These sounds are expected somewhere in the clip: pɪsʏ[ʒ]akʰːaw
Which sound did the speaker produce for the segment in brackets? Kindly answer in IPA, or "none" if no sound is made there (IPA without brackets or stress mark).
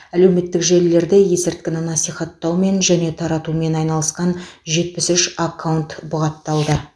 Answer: ʃ